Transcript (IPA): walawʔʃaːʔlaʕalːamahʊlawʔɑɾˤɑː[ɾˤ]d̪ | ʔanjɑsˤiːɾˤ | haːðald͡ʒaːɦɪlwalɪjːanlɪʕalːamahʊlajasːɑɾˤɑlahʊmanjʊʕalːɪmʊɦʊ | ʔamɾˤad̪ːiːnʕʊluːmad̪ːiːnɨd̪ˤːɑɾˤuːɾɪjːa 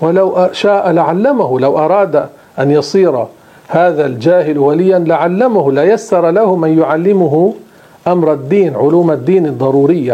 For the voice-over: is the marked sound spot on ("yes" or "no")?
no